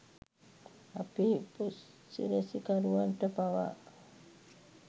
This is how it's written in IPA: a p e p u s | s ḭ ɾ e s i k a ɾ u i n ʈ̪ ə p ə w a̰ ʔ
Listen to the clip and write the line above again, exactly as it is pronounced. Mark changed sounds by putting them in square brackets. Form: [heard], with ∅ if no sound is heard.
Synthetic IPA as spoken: a p [i] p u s | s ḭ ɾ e s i k a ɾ u [a] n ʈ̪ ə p [a] w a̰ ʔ